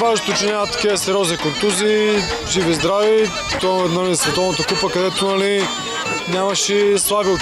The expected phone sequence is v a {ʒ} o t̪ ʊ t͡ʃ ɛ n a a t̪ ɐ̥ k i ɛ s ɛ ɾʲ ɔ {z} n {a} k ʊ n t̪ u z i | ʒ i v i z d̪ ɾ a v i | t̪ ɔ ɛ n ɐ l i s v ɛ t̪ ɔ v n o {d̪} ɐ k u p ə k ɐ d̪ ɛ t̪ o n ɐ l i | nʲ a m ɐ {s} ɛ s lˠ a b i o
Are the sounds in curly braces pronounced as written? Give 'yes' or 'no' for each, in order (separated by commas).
yes, yes, no, no, no